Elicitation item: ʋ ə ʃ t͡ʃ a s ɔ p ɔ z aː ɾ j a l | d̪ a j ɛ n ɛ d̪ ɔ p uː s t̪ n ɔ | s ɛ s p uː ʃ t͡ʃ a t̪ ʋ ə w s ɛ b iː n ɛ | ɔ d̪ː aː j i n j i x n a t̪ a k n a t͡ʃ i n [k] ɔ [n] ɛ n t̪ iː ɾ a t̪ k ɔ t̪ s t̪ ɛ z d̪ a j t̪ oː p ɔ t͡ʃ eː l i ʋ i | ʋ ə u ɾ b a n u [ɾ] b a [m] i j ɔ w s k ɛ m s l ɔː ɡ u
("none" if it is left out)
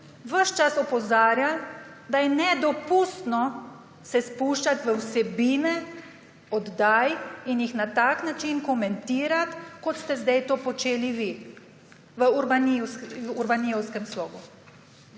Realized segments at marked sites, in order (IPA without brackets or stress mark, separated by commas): k, m, ɾ, n